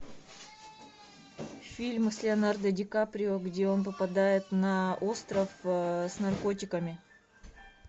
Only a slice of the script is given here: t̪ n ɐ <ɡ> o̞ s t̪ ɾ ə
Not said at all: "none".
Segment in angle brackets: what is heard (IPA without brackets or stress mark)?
none